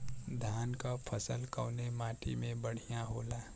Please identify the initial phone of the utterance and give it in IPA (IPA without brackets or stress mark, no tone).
d̪ʱ